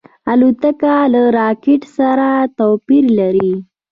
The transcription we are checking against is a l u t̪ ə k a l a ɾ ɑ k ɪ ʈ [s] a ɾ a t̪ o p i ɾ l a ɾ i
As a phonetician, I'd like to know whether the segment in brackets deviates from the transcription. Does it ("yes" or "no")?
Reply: no